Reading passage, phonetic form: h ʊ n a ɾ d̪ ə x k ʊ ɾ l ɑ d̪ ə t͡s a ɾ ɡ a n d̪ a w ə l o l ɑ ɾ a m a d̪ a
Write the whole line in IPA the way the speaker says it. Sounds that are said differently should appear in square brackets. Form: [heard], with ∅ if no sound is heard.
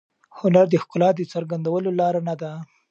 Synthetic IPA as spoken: h ʊ n a ɾ d̪ ə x k ʊ [∅] l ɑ d̪ ə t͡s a ɾ ɡ a n d̪ a w ə l o l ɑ ɾ a [n] a d̪ a